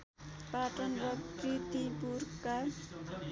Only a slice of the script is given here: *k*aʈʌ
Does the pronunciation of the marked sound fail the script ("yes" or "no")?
yes